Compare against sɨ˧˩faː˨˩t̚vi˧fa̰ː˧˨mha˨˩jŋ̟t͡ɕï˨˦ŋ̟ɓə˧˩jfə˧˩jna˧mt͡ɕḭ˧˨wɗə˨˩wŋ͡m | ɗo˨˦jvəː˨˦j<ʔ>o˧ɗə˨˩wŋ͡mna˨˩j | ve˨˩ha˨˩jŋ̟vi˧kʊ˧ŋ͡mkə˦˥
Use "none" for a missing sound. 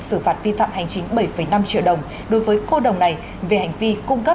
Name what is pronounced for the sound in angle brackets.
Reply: k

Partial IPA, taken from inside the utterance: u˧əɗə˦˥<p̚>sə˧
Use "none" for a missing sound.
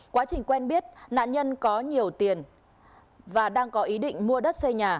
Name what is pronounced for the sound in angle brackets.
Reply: t̚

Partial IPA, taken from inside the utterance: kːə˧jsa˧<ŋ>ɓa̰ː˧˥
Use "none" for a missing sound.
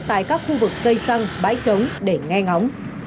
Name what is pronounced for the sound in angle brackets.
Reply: ŋ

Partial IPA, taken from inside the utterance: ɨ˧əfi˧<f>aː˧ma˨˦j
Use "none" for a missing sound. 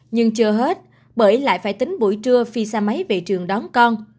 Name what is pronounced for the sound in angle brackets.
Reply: s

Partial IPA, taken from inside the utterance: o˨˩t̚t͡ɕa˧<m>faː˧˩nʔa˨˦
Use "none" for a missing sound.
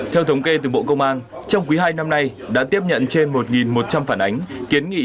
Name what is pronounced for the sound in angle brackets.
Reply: m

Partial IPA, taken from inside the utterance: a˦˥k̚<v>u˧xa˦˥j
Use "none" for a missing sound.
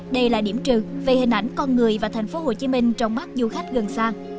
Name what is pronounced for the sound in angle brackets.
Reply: z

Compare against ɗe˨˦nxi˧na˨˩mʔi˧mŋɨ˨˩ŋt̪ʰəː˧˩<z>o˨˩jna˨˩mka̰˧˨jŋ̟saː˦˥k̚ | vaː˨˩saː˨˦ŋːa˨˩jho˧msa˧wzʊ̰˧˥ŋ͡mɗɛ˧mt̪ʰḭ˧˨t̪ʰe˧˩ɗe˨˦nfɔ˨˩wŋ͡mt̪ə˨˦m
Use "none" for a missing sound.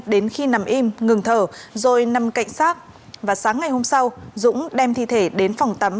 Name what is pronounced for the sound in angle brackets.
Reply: z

